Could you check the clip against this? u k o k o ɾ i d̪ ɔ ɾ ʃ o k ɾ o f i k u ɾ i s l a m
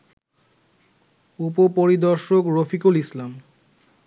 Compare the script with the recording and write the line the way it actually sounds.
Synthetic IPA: u p o p o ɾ i d̪ ɔ ɾ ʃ o k ɾ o f i k u l i s l a m